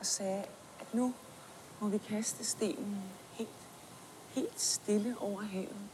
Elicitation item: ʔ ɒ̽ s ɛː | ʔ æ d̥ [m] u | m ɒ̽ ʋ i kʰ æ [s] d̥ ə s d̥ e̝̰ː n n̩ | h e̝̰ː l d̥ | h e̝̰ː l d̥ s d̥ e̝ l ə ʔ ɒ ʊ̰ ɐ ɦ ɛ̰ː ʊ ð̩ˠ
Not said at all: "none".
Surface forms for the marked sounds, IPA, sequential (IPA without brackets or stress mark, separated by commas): n, s